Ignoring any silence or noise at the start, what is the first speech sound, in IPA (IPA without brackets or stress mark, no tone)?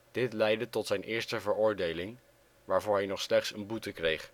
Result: d̥